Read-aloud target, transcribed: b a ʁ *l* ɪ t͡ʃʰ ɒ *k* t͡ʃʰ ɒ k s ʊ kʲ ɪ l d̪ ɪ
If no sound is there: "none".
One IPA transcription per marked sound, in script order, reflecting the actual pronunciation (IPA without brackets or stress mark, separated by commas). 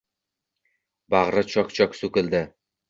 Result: ɾ, k